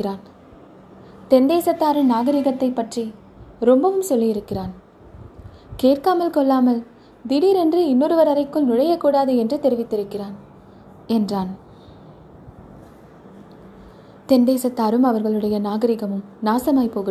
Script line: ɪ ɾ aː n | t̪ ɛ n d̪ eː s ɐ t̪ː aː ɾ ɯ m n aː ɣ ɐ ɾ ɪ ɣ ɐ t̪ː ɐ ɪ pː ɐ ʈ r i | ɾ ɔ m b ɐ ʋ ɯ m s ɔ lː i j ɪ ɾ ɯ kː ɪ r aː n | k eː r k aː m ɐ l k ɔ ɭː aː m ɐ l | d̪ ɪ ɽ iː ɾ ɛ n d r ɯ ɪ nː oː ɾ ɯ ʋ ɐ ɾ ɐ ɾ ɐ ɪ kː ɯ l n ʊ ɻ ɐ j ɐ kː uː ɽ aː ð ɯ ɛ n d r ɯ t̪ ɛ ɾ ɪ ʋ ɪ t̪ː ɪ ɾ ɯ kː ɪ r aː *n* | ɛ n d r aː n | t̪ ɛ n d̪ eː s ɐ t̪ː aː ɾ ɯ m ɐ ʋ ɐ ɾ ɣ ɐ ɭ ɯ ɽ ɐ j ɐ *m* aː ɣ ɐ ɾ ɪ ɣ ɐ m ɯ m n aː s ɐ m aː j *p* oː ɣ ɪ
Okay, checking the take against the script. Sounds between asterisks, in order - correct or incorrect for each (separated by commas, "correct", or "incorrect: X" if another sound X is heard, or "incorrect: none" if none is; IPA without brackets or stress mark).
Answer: correct, incorrect: n, correct